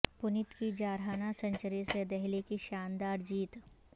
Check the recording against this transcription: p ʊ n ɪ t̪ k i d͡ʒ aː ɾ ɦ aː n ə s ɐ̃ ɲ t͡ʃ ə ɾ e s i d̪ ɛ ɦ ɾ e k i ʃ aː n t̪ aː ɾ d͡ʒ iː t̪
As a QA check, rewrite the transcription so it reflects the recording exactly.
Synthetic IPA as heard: p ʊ n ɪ t̪ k i d͡ʒ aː ɾ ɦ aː n a s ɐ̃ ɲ t͡ʃ ə ɾ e s e d̪ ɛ ɦ l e k i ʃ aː n d̪ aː ɾ d͡ʒ iː t̪